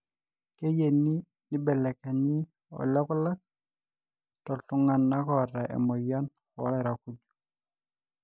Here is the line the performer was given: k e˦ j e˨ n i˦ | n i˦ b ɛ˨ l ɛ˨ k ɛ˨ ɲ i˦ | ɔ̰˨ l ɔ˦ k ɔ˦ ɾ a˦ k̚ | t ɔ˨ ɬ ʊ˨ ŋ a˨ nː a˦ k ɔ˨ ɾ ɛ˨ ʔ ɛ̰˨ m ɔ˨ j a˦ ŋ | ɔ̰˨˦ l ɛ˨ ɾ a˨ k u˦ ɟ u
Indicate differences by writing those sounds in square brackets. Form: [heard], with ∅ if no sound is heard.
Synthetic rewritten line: k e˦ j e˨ n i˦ | n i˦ b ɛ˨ l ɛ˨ k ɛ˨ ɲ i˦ | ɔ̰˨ l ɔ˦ k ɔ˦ [l] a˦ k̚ | t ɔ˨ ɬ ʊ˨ ŋ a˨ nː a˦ k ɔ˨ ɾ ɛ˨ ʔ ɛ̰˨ m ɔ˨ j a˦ [n] | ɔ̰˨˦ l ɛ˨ ɾ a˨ k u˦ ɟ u